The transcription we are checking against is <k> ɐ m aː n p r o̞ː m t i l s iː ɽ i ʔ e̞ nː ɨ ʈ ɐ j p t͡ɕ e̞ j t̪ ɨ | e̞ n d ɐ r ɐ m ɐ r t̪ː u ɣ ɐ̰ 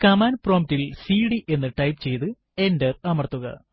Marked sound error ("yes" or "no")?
no